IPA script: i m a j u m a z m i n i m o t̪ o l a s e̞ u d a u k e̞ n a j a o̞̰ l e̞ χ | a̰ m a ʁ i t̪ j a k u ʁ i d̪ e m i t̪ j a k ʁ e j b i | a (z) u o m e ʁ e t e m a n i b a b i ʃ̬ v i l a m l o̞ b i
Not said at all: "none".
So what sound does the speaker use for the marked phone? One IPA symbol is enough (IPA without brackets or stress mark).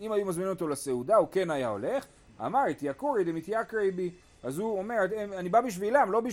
z